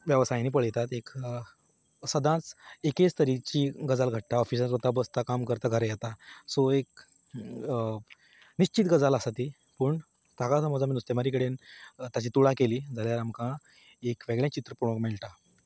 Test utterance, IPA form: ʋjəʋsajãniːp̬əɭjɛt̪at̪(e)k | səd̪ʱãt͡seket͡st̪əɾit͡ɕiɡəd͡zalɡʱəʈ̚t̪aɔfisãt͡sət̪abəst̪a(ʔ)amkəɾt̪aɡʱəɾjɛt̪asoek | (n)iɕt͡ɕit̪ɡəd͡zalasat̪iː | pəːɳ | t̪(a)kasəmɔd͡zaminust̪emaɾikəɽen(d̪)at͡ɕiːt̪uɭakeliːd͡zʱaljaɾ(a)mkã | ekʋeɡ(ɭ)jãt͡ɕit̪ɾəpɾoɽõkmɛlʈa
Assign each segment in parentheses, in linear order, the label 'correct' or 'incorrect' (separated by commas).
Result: correct, incorrect, correct, correct, incorrect, correct, correct